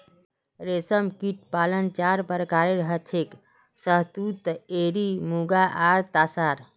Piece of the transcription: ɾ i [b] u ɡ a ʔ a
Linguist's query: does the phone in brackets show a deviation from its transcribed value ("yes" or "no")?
yes